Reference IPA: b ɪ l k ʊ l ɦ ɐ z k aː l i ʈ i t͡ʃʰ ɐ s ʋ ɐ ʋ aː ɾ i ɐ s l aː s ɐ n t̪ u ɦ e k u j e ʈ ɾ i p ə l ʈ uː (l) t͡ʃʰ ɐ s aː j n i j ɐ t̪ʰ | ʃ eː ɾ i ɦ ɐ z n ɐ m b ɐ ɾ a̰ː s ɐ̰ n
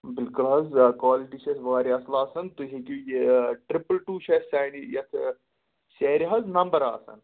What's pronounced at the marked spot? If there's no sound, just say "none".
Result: none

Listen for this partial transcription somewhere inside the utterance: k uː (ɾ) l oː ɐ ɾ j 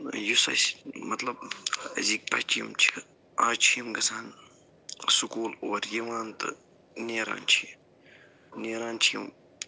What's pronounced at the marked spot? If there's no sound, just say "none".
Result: none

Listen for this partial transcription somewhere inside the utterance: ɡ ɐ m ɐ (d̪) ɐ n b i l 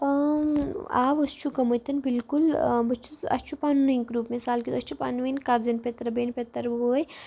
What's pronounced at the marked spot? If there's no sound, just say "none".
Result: t̪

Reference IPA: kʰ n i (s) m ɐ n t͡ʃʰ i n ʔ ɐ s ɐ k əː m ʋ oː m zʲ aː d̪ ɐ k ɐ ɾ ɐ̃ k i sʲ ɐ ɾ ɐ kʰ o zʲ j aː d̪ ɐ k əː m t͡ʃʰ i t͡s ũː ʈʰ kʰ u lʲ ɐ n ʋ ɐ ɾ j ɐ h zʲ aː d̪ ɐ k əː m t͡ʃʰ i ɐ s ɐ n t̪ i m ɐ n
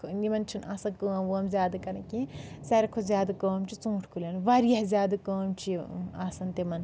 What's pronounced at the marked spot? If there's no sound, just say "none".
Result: none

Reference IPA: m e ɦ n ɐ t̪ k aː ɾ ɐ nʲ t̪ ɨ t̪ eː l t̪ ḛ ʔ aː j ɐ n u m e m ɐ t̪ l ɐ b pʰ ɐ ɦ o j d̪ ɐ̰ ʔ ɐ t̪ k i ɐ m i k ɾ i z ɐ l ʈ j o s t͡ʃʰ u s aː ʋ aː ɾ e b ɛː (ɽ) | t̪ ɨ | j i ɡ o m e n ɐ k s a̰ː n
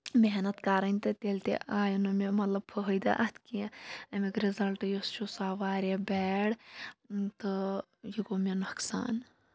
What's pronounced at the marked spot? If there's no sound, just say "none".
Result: ɽ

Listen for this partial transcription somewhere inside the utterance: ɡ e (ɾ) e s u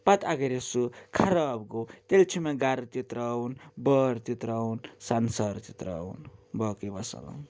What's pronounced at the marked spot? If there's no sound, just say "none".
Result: ɾ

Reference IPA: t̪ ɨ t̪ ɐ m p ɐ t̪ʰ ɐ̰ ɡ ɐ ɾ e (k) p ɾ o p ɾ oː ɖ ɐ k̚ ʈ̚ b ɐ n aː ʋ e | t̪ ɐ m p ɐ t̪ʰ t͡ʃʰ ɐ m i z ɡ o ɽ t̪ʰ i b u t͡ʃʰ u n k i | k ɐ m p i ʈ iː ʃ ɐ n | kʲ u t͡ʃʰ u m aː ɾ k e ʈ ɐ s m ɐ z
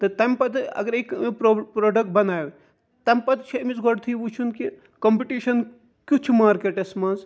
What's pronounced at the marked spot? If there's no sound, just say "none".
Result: k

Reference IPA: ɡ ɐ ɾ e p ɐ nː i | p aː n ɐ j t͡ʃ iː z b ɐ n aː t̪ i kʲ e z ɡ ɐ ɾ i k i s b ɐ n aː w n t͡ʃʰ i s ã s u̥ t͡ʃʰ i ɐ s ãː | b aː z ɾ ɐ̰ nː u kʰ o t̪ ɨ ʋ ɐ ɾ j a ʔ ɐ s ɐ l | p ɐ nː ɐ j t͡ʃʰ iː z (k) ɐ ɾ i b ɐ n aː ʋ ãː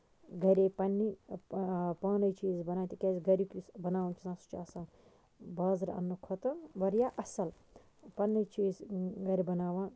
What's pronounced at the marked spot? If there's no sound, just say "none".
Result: ɡ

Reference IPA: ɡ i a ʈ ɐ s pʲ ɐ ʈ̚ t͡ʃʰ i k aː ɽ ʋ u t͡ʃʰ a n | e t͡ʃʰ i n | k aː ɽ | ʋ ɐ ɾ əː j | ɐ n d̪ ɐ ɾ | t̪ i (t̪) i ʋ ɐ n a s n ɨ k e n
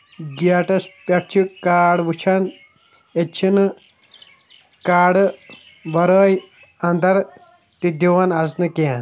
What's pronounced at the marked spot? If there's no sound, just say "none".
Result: d̪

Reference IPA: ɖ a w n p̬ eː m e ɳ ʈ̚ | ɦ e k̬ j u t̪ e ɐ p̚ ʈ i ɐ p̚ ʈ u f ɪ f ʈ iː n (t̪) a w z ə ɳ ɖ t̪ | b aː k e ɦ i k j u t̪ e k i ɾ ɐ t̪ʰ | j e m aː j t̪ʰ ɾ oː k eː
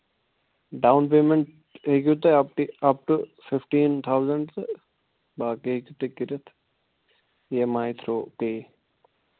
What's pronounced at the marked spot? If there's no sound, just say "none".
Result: t̪ʰ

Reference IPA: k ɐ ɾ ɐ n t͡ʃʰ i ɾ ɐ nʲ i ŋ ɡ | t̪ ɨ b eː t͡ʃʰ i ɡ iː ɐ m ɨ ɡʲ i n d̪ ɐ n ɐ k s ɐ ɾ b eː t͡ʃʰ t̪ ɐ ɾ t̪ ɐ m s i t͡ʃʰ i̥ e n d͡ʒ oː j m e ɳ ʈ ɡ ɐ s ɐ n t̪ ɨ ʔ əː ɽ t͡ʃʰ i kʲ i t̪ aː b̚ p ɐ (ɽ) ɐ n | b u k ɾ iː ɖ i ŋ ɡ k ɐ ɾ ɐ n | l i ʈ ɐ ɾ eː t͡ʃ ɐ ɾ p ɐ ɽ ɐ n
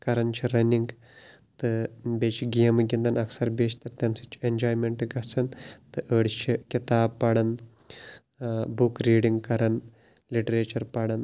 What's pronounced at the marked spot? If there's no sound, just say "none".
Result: ɽ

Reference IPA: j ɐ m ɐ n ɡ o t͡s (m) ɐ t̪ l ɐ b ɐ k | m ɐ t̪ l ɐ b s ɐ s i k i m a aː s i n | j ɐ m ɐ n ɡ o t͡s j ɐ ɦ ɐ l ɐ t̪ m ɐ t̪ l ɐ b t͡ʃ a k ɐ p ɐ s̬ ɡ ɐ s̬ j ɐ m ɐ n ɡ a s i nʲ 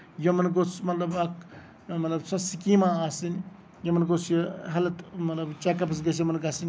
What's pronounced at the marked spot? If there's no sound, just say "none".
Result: m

